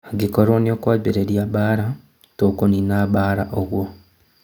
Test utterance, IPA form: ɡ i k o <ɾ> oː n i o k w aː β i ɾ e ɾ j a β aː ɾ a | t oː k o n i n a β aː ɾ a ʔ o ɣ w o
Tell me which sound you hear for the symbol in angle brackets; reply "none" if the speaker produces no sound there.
ɾ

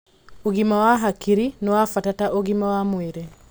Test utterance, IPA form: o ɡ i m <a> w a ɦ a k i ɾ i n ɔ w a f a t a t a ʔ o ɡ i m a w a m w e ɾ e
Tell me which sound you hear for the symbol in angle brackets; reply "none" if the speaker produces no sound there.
a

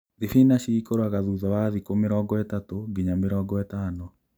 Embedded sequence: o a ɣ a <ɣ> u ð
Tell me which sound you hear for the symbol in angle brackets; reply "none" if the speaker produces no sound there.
ð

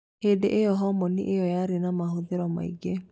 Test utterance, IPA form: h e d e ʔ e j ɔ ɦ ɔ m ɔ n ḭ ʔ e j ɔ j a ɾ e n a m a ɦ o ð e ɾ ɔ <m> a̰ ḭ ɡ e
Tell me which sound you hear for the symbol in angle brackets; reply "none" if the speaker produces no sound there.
m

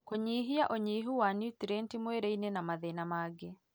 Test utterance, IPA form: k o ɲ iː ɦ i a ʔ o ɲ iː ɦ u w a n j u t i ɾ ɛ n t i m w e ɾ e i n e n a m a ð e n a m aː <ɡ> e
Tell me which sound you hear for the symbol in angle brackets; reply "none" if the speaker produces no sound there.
ɡ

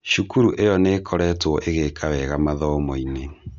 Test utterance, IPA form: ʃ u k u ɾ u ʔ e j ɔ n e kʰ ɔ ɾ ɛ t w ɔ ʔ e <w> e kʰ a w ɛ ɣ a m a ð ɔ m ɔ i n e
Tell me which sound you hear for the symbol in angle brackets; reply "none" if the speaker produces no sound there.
ɣ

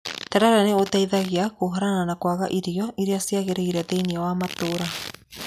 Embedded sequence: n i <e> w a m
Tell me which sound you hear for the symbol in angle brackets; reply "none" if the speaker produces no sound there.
a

